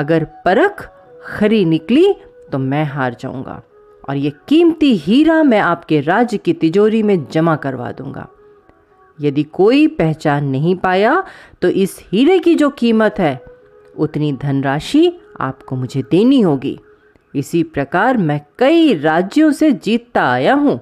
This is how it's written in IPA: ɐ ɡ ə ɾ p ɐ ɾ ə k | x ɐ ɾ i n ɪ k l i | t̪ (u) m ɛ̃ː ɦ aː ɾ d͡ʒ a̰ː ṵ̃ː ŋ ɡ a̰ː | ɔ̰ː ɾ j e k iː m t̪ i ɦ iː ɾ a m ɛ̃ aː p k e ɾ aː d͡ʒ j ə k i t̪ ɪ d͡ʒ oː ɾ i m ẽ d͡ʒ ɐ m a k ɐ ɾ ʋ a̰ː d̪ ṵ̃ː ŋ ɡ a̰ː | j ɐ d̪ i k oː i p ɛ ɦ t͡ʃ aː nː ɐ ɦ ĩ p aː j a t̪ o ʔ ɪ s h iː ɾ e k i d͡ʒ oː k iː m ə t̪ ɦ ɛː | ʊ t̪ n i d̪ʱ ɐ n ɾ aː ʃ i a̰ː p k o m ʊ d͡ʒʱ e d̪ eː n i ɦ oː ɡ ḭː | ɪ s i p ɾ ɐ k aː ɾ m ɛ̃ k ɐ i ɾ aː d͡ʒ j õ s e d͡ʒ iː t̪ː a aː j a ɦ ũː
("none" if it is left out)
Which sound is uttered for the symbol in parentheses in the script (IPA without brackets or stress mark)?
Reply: o